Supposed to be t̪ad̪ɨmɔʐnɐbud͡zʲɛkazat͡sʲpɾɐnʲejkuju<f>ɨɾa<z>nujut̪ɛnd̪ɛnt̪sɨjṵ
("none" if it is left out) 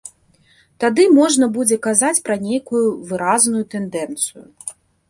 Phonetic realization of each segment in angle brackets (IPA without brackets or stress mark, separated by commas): v, z